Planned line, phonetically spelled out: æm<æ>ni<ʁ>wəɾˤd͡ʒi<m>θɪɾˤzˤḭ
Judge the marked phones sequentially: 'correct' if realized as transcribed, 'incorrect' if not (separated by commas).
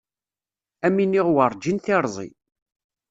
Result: incorrect, correct, incorrect